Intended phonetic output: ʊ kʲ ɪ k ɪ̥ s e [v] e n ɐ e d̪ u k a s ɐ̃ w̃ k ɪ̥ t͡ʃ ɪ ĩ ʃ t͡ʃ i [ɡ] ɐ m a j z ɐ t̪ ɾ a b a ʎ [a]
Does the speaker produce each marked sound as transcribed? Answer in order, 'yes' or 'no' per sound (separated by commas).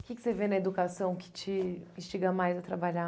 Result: yes, yes, yes